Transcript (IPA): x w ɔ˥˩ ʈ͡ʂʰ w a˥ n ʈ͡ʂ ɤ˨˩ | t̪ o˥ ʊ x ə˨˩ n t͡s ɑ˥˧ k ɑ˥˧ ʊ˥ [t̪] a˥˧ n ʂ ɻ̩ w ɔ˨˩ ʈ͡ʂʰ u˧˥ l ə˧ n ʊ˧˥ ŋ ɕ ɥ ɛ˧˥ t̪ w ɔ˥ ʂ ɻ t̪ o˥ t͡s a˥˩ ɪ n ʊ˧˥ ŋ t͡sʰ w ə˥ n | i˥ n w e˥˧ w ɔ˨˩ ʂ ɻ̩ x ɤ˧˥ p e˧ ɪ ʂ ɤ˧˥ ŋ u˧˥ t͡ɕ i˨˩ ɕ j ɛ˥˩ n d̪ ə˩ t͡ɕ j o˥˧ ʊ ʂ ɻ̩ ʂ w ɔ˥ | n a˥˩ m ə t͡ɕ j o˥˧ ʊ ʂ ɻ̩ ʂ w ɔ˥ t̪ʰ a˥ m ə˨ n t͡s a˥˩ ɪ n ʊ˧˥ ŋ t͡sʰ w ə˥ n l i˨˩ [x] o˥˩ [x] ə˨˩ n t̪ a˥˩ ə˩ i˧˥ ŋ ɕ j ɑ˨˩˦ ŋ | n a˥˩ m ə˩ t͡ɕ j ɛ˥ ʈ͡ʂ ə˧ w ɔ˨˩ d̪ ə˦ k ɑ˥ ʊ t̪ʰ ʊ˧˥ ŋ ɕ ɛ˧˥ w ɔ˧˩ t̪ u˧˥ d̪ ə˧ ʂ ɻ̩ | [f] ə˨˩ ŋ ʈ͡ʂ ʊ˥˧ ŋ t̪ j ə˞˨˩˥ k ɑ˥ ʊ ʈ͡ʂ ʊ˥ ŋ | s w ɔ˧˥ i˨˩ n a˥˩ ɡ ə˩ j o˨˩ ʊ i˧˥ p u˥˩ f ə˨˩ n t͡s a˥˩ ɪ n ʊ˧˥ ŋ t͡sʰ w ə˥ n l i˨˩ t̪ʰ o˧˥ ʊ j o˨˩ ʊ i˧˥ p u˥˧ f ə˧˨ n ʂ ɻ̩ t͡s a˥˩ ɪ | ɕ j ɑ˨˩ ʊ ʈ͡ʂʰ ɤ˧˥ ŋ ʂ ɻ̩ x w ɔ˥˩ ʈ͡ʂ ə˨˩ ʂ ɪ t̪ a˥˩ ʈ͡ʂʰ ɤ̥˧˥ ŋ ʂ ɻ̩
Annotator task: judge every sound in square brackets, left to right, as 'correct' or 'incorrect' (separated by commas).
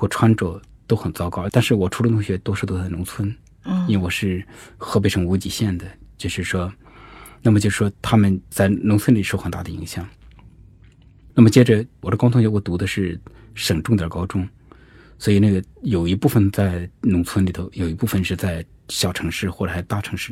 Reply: correct, incorrect, correct, incorrect